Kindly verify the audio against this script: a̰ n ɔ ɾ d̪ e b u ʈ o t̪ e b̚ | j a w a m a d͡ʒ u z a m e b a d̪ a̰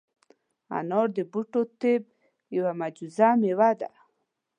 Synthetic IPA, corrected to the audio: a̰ n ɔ ɾ d̪ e b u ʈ o t̪ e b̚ | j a w a m a d͡ʒ u z a m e w a d̪ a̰

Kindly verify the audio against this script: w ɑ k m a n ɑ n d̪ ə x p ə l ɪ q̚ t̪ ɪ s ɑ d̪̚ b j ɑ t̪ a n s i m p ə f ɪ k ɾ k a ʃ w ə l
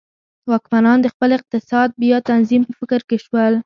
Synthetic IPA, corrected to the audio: w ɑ k m a n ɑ n d̪ ə x p ə l ɪ q̚ t̪ ɪ s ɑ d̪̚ b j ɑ t̪ a n z i m p ə f ɪ k ɾ k e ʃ w ə l

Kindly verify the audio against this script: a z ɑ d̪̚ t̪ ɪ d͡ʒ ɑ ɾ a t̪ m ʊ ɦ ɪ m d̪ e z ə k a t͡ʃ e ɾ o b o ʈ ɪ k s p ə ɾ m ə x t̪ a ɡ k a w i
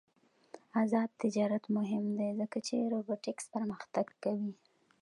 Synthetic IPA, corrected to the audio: a z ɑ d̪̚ t̪ ɪ d͡ʒ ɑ ɾ a t̪ m ʊ ɦ ɪ m d̪ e z ə k a t͡ʃ e ɾ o b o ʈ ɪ k s p ə ɾ m ə x t̪ a ɡ k a w i

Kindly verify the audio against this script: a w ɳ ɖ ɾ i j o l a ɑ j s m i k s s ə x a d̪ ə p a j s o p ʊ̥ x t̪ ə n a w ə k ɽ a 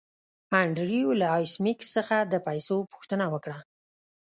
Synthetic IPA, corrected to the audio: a ɳ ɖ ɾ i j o l a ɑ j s m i k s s ə x a d̪ ə p a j s o p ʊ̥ x t̪ ə n a w ə k ɽ a

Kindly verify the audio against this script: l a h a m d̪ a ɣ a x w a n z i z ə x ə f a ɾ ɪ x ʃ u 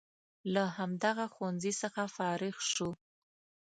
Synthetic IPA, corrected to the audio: l a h a m d̪ a ɣ a x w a n z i s ə x a f ɑ ɾ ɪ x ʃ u

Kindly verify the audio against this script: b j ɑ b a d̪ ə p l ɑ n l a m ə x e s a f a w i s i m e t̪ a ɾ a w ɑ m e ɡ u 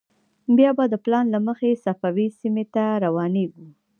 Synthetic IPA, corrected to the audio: b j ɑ b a d̪ ə p l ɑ n l a m ə x e s a f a w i s i m e t̪ a ɾ a w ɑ n e ɡ u

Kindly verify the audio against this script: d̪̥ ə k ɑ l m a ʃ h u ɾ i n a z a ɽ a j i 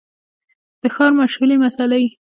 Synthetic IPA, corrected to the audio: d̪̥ ə x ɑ ɾ m a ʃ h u l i m a s a l a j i

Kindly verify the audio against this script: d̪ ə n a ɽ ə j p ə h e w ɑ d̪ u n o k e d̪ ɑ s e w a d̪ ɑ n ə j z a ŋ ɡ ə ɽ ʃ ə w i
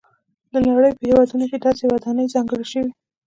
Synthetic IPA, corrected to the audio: d̪ ə n a ɽ ə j p ə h e w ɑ d̪ u n o k e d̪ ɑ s e w a d̪ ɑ n ə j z ɑ ŋ ɡ ə ɽ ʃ ə w i

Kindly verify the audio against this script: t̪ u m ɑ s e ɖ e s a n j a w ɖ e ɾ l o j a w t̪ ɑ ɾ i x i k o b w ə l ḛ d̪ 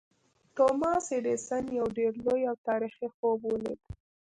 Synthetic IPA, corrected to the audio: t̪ o m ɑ s e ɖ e s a n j a w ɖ e ɾ l o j a w t̪ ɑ ɾ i x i x o b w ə l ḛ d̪

